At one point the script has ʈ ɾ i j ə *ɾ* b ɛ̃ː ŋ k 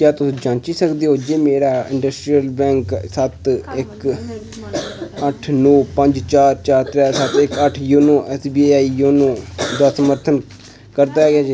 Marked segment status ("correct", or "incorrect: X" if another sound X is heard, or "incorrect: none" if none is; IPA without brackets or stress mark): incorrect: l